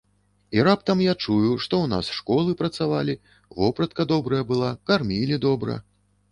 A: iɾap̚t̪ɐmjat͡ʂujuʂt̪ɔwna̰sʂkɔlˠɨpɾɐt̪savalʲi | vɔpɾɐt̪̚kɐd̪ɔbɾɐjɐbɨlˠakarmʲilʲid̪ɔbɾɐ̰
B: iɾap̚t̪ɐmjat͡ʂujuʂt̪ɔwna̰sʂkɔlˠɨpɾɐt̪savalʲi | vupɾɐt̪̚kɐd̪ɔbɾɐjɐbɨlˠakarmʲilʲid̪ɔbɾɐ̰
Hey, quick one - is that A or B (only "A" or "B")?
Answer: A